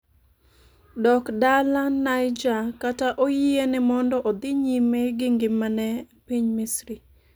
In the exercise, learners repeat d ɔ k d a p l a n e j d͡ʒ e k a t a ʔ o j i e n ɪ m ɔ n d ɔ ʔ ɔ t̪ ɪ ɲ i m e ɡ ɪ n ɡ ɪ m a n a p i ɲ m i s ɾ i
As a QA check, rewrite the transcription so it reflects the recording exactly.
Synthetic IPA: d ɔ k d a l a n a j d͡ʒ a k a t a ʔ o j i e n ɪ m ɔ n d ɔ ʔ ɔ d̪ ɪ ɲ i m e ɡ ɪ ŋ ɡ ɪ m a n ɛ p i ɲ m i s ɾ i